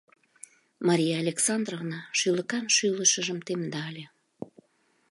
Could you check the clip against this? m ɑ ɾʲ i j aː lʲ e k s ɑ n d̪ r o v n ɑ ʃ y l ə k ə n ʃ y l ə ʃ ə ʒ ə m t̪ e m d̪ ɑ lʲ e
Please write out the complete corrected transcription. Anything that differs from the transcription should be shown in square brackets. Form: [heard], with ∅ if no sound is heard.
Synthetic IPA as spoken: m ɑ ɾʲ i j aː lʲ e k s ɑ n d̪ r o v n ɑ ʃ y l ə k [ɑ] n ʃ y l ə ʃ ə ʒ ə m t̪ e m d̪ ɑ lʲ e